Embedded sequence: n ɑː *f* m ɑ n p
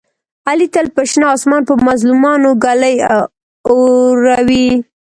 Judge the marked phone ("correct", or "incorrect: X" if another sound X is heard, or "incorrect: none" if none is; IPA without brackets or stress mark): incorrect: s